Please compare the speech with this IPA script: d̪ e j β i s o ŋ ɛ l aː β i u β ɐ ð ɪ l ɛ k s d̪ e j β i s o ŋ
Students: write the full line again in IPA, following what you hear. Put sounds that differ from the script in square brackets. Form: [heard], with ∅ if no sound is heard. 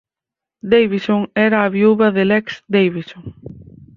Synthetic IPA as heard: d̪ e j β i s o ŋ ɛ [ɾ] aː β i u β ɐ ð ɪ l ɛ k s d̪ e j β i s o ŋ